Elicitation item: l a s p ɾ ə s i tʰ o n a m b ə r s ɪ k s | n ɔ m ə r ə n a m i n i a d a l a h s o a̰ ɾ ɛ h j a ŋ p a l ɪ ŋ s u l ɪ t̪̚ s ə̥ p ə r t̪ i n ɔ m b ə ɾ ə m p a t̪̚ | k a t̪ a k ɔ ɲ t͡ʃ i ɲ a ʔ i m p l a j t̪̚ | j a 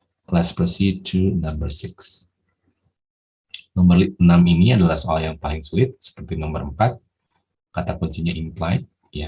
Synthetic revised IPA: l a s p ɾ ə s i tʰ u n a m b ə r s ɪ k s | n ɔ m ə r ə n a m i n i a d a l a h s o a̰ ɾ a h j a ŋ p a l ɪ ŋ s u l ɪ t̪̚ s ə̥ p ə r t̪ i n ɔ m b ə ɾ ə m p a t̪̚ | k a t̪ a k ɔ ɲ t͡ʃ i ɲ a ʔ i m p l a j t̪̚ | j a